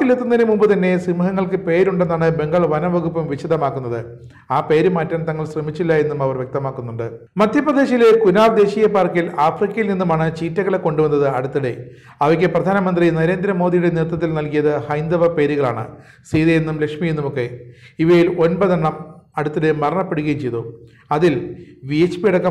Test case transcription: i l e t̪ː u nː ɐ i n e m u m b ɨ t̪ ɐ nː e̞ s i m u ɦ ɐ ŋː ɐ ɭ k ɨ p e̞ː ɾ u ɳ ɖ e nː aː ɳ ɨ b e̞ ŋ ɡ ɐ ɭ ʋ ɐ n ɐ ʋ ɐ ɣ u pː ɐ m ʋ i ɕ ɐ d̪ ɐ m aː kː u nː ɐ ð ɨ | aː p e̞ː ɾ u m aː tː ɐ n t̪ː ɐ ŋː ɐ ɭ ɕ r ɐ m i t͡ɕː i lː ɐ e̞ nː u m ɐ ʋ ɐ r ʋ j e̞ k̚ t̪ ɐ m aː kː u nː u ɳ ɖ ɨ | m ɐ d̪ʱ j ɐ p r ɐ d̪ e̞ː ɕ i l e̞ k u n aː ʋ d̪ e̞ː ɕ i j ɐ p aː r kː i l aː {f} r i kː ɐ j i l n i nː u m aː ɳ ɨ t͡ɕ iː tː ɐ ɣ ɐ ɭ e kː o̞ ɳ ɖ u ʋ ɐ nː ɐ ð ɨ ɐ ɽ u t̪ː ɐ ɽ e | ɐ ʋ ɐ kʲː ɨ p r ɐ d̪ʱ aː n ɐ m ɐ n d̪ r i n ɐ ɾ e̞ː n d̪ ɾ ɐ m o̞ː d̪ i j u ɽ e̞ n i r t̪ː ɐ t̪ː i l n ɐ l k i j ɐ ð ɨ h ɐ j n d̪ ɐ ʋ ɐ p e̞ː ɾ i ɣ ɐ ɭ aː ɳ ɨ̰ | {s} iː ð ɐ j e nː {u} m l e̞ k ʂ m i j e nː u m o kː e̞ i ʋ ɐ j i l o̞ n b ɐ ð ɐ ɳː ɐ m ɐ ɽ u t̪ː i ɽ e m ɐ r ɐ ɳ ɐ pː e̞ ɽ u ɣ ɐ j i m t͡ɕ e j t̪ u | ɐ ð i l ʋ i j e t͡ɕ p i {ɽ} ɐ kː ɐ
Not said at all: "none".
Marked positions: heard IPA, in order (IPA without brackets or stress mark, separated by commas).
f, s, u, ɽ